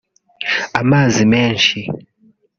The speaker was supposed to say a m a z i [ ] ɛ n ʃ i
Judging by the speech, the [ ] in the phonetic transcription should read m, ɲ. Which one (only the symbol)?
m